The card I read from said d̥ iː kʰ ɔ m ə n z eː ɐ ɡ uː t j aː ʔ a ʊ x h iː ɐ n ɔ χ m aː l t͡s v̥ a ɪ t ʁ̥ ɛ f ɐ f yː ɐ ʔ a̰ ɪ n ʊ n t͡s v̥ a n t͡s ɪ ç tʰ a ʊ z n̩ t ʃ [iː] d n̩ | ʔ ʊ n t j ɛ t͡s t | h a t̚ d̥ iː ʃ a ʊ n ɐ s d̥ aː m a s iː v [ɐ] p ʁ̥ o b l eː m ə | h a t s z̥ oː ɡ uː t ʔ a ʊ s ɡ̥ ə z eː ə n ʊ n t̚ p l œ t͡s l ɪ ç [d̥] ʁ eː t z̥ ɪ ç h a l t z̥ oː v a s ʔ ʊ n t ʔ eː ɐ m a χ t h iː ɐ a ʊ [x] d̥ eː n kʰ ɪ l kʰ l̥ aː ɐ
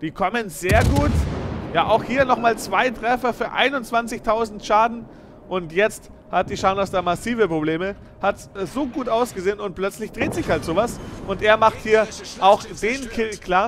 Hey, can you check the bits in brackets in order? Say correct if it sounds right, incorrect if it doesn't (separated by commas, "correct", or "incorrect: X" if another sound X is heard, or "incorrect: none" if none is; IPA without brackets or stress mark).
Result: incorrect: aː, incorrect: ə, correct, correct